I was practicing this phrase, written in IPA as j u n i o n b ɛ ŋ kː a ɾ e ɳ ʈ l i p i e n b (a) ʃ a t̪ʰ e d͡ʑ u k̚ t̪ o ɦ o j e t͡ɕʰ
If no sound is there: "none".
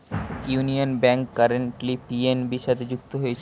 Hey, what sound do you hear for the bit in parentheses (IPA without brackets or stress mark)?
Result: i